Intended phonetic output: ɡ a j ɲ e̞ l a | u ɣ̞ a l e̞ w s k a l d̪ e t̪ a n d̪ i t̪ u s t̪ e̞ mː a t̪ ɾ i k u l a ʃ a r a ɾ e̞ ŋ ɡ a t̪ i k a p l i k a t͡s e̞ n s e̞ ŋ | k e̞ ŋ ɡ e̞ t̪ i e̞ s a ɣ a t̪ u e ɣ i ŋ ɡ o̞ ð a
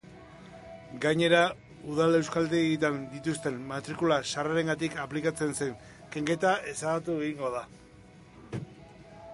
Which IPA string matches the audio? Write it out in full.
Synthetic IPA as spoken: ɡ a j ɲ e̞ ɾ a | u ð̞ a l e̞ w s k a l d̪ e t̪ a n d̪ i t̪ u s t̪ e̞ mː a t̪ ɾ i k u l a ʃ a r a ɾ e̞ ŋ ɡ a t̪ i k a p l i k a t͡s e̞ n s e̞ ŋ | k e̞ ŋ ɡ e̞ t̪ a e̞ s a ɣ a t̪ u e ɣ i ŋ ɡ o̞ ð a